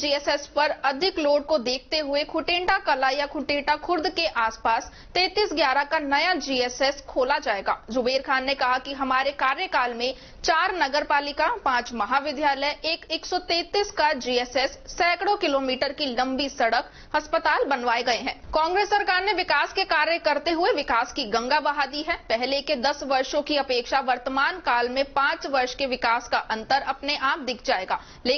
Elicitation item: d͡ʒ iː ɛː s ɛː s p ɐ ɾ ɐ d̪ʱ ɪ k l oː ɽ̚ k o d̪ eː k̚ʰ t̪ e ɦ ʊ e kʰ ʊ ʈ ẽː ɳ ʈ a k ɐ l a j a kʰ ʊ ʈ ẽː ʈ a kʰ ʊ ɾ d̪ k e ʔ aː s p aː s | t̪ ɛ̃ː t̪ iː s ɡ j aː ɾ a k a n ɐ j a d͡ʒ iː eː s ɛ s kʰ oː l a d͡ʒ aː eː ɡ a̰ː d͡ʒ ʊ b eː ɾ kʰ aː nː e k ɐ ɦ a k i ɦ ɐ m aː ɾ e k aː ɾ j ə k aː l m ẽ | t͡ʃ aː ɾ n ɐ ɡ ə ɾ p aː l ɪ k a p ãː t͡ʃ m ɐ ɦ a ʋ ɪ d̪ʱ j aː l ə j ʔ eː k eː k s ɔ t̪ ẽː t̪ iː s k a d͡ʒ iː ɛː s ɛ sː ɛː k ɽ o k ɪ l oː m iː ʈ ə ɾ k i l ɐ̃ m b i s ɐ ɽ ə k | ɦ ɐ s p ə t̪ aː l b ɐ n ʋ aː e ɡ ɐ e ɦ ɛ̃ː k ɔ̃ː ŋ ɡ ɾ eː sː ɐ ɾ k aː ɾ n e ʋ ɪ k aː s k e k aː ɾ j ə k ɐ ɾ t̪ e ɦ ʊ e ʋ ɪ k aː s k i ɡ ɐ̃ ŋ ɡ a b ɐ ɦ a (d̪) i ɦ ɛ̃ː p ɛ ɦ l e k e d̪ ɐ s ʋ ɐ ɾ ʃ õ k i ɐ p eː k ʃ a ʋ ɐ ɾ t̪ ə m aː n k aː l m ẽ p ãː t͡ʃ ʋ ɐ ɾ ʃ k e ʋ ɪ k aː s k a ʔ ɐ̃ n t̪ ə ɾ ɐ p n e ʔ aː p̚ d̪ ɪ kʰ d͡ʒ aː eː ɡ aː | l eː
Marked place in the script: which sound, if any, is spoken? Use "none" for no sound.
d̪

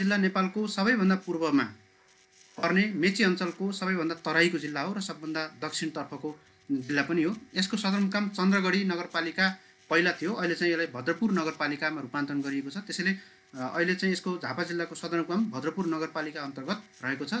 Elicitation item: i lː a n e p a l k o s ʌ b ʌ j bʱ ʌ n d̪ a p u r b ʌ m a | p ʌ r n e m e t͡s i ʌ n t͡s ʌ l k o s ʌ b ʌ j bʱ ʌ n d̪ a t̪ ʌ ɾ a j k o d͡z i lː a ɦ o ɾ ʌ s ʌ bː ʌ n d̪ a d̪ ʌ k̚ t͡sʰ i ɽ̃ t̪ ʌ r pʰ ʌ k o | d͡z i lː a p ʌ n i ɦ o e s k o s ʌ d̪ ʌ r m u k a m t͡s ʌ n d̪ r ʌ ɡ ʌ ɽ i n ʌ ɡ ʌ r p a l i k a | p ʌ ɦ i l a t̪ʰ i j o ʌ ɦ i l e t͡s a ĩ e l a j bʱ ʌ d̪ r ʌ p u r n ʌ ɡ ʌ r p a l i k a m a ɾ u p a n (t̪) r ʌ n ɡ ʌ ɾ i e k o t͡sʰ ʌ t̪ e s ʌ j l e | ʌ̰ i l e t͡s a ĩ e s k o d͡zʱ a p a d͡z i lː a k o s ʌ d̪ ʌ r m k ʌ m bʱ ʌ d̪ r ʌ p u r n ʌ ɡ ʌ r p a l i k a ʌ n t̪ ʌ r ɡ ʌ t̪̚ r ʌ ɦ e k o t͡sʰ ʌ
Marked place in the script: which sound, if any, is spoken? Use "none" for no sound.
t̪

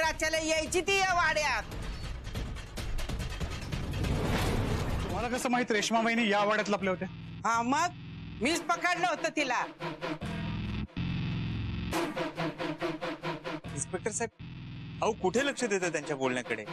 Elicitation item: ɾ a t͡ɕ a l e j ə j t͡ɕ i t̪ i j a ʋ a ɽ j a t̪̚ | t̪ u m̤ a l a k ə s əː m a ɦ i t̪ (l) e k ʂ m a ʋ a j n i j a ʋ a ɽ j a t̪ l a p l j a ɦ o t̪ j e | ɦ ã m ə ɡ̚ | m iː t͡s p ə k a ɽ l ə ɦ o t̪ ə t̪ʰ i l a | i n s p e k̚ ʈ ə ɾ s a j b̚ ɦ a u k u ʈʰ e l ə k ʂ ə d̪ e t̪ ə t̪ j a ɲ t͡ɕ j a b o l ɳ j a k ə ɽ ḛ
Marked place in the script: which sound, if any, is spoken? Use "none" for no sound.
ɾ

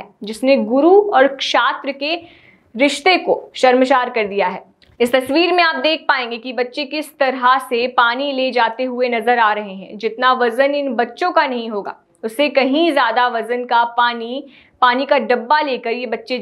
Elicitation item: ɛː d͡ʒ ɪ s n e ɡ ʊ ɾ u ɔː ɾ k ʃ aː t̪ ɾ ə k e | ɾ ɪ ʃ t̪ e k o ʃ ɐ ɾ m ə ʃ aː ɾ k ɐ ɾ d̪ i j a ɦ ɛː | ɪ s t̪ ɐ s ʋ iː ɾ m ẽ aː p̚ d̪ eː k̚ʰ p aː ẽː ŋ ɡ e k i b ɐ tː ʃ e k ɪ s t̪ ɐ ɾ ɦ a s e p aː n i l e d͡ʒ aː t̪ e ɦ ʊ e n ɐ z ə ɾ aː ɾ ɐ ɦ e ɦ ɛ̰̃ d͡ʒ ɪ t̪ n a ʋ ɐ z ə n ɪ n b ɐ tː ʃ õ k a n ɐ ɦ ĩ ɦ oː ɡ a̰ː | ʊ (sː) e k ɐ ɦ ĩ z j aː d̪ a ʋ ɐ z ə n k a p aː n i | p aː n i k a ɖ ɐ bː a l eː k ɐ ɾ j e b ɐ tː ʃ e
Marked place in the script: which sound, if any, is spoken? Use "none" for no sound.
sː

